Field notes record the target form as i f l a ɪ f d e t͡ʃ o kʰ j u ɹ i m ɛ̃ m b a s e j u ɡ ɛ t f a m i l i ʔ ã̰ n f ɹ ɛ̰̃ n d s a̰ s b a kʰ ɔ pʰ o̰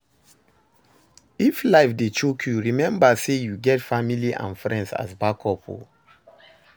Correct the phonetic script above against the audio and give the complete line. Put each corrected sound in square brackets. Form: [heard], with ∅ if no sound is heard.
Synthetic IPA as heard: i f l a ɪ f d e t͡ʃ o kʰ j u ɹ i m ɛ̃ m b a s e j u ɡ ɛ t f a m i l i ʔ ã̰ n f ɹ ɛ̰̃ n d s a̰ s b a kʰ ɔ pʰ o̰